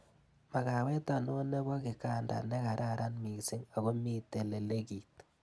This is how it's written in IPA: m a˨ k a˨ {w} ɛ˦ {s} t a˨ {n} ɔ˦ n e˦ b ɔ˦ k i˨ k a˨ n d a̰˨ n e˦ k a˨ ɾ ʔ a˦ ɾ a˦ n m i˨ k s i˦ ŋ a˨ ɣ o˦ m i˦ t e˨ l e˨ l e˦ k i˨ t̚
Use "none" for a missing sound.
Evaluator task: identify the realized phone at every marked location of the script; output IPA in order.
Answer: w, none, n

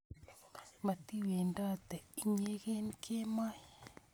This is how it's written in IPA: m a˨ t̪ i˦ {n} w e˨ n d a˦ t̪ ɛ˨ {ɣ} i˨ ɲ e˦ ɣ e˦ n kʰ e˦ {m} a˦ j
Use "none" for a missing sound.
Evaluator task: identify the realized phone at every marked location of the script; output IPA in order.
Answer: none, none, m

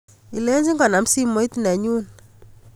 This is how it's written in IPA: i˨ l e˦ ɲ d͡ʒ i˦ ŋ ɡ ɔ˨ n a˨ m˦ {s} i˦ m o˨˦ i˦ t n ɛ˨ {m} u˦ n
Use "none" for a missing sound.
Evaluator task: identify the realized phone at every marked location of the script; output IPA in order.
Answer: s, ɲ

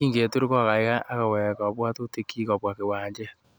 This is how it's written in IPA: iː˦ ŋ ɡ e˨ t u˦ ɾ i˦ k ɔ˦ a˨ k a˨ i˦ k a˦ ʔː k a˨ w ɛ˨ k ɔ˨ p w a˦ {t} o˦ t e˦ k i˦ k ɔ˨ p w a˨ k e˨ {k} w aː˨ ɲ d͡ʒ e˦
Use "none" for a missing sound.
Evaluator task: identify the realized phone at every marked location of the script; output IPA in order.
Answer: t, none

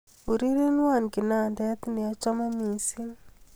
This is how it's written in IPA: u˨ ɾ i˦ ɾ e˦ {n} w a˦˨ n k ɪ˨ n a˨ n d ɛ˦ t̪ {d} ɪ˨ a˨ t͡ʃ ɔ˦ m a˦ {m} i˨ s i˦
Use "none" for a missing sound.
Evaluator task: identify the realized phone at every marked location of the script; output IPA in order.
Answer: n, n, m

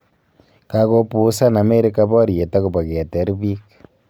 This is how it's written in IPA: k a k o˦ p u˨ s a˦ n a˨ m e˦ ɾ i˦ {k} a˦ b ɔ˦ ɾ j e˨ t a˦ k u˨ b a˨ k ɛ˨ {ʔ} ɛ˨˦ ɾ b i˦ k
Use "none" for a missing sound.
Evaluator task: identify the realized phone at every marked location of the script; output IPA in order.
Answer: k, t

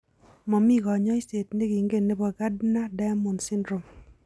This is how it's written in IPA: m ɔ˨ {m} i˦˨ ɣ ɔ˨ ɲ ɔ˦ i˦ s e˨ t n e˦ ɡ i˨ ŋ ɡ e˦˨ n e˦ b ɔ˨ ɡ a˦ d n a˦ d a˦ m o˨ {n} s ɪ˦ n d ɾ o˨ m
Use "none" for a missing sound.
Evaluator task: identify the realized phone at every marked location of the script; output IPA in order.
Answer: m, n

